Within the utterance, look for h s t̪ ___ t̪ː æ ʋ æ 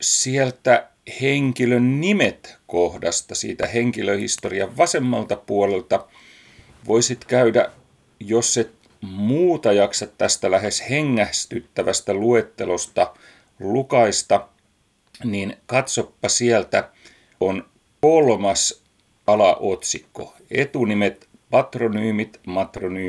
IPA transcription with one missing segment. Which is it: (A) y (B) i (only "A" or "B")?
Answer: A